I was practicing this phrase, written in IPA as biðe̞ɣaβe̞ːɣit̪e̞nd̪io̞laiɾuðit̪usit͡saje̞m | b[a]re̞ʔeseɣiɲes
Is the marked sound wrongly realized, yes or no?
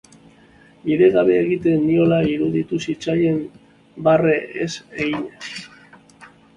no